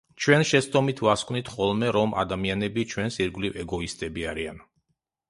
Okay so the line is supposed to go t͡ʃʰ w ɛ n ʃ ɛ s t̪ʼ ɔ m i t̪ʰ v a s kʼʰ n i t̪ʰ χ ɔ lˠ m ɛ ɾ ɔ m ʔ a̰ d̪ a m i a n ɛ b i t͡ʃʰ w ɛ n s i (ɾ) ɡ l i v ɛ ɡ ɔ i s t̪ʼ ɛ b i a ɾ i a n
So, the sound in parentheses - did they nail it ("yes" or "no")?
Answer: yes